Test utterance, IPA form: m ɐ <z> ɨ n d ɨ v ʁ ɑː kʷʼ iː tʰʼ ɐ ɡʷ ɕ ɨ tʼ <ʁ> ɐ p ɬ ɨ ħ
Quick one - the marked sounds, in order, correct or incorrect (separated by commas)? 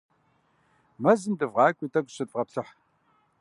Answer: correct, correct